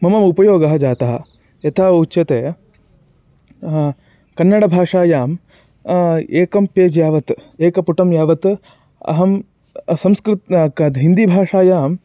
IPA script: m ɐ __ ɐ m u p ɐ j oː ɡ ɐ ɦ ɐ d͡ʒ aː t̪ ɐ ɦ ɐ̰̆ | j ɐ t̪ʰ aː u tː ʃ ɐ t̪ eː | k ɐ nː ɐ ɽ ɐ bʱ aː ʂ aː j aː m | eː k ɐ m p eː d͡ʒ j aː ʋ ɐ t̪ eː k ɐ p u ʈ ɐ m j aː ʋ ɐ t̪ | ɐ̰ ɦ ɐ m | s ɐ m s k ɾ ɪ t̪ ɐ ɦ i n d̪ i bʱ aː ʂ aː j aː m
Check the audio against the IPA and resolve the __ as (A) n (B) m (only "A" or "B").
B